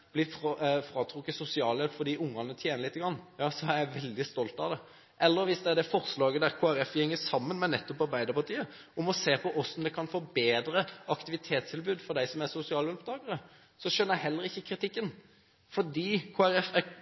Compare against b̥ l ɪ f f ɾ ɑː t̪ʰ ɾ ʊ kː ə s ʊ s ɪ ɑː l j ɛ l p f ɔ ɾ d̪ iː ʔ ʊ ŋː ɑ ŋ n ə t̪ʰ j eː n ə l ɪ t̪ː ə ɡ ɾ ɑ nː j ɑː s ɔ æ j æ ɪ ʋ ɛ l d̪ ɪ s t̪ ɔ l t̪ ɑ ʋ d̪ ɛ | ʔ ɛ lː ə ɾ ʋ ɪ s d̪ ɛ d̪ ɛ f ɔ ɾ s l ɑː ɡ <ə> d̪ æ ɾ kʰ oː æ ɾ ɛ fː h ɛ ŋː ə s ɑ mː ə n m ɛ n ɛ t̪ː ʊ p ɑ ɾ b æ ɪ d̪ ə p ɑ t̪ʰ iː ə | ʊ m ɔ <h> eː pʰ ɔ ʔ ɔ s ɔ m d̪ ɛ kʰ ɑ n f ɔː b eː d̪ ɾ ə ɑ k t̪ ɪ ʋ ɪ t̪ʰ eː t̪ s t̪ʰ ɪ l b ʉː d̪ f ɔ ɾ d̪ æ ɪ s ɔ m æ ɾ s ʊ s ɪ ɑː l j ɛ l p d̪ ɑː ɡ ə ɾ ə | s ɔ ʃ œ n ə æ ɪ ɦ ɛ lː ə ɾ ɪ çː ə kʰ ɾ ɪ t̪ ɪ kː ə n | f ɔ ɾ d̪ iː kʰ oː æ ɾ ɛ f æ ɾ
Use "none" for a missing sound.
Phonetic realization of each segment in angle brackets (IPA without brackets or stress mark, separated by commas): ə, s